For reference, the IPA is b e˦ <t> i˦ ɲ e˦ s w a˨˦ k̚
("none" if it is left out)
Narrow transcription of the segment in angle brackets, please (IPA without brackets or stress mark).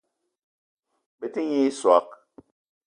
t